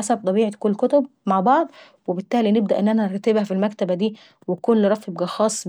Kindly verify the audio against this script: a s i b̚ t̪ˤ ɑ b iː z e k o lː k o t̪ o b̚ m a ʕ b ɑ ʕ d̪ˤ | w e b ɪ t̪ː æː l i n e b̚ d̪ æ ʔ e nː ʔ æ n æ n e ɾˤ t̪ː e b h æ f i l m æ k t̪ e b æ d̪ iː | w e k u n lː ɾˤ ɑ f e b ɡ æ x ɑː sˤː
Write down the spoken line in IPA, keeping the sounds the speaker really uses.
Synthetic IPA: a s æ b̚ t̪ˤ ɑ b iː ʕ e k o lː k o t̪ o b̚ m a ʕ b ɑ ʕ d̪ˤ | w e b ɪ t̪ː æː l i n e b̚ d̪ æ ʔ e nː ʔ æ n æ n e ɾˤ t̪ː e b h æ f i l m æ k t̪ æ b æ d̪ iː | w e k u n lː ɾˤ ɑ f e b ɡ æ x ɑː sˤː